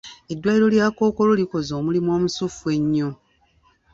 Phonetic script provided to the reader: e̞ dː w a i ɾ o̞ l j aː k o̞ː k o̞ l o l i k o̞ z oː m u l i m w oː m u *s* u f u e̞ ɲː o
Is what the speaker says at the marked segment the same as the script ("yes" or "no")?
yes